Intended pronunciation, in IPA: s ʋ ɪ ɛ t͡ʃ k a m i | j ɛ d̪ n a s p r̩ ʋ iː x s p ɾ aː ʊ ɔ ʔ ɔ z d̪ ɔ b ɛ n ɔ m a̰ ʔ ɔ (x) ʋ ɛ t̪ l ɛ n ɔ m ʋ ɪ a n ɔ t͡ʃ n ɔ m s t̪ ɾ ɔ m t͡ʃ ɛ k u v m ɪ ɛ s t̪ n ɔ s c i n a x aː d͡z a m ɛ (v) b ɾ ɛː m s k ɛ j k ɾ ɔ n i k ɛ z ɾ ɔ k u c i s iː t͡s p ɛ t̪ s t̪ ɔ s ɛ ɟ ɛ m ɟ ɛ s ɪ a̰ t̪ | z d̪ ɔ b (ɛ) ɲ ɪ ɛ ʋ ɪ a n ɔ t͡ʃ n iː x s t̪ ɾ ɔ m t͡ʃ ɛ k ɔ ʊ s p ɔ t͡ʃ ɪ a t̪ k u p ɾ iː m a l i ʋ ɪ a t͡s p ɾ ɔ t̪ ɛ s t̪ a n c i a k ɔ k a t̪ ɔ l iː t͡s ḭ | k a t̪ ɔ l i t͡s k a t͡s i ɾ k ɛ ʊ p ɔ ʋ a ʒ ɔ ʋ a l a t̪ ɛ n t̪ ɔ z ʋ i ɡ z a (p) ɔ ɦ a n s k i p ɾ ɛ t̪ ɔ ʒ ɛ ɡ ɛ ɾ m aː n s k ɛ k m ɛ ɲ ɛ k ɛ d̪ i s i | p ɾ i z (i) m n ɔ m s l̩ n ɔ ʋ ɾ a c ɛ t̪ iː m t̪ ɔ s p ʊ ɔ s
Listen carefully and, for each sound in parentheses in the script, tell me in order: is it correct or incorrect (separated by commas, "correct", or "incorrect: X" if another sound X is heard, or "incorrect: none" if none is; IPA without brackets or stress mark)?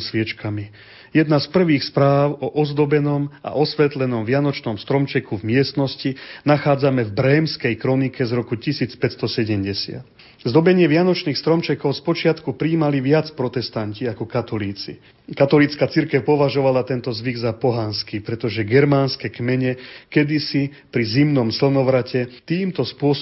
incorrect: s, correct, correct, correct, correct